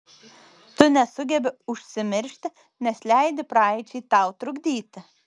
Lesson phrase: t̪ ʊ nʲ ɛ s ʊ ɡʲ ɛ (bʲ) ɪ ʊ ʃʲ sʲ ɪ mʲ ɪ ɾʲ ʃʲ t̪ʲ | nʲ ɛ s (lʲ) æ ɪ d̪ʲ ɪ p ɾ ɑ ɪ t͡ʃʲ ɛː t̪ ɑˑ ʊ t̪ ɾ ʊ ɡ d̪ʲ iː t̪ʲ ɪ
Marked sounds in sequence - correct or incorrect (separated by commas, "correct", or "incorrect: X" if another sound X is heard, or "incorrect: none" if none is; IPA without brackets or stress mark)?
correct, correct